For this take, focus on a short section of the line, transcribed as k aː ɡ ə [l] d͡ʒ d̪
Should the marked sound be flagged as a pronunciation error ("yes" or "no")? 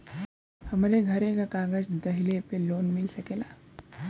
yes